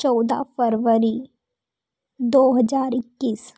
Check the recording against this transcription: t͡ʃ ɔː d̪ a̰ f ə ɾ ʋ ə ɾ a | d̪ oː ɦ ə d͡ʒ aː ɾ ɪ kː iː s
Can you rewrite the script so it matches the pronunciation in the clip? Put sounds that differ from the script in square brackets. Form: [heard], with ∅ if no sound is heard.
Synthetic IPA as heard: t͡ʃ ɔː d̪ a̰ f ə ɾ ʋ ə ɾ [i] | d̪ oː ɦ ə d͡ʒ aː ɾ ɪ kː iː s